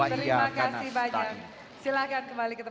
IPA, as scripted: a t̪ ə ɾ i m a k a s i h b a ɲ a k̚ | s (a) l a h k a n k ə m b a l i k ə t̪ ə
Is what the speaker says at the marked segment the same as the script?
no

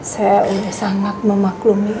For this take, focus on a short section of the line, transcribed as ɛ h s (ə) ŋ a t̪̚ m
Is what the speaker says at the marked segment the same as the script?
no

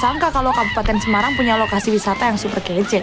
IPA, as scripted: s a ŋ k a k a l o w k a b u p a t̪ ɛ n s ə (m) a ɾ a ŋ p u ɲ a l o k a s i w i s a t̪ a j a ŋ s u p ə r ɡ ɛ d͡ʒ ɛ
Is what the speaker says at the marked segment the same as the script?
yes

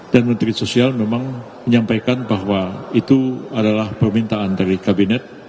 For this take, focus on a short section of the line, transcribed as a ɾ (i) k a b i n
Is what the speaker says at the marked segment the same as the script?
yes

